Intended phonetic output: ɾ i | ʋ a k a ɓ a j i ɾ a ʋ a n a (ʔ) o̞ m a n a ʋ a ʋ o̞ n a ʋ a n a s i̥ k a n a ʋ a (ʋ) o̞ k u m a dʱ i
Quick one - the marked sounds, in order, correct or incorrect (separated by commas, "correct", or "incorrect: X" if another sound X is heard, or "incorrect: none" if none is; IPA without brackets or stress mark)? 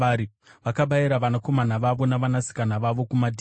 incorrect: k, correct